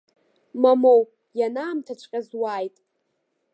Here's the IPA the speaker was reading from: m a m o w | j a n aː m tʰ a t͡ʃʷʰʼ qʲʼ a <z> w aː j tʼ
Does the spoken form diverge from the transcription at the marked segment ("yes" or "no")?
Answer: no